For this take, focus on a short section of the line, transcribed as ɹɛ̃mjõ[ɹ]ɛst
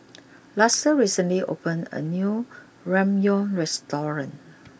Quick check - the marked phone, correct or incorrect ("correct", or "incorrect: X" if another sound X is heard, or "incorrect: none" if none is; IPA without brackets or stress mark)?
correct